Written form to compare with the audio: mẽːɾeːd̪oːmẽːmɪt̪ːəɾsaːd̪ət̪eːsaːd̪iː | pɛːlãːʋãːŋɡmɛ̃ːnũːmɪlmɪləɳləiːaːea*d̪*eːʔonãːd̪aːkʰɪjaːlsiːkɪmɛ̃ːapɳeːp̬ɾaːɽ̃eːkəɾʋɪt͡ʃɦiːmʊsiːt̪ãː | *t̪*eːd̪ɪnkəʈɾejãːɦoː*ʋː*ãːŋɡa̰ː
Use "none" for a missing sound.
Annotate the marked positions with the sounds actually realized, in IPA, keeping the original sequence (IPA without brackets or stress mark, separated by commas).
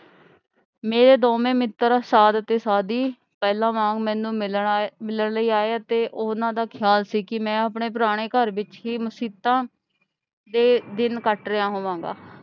t̪, d̪, ʋ